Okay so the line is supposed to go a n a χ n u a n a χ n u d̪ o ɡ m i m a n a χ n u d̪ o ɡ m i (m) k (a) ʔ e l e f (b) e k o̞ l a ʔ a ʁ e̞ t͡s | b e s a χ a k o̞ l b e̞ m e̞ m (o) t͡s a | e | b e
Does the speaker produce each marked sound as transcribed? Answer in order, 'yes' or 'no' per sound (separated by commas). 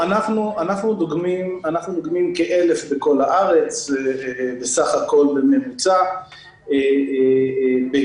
yes, no, yes, no